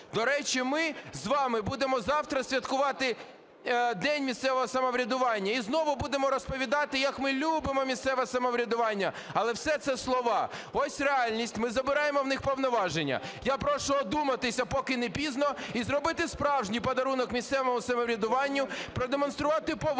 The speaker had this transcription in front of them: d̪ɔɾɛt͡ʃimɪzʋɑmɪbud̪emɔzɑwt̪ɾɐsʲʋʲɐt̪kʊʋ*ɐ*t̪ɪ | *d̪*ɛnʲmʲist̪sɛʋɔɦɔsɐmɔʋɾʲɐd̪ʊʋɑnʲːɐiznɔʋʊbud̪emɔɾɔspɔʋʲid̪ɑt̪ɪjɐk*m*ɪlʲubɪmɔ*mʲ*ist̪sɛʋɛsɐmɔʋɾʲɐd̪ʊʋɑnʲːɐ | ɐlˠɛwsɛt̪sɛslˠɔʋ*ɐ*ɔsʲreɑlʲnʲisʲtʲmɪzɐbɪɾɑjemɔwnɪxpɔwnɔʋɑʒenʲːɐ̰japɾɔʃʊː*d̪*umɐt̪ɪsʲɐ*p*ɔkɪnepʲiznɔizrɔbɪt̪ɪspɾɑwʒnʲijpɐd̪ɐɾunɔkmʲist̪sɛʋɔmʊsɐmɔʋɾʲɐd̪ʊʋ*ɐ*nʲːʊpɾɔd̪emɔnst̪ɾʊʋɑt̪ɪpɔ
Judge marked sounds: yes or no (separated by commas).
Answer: no, yes, yes, yes, no, yes, yes, no